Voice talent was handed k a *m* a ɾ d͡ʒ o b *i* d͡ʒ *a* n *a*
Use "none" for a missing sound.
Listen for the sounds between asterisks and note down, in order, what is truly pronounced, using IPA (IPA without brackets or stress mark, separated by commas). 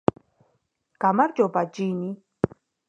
m, a, i, i